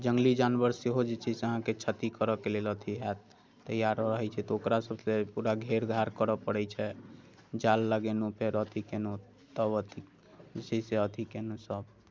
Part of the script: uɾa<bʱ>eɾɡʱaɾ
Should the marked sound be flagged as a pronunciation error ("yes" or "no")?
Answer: yes